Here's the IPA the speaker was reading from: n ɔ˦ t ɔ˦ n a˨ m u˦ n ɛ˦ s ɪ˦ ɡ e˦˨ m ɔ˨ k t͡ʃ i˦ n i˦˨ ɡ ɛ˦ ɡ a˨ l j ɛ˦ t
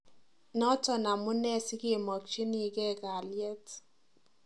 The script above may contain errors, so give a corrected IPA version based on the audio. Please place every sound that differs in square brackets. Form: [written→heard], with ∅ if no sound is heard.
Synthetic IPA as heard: n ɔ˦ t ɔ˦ n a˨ m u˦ n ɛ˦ s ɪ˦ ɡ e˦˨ m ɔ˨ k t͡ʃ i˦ n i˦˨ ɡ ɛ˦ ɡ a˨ l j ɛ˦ t